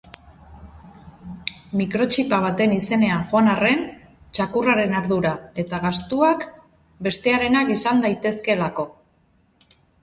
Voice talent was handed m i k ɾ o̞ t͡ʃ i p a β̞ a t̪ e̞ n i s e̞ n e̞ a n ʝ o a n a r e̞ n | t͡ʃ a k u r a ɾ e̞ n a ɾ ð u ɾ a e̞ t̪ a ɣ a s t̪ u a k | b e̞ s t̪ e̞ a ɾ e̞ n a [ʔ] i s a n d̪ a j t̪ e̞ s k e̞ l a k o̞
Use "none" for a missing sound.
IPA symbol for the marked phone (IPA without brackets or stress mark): k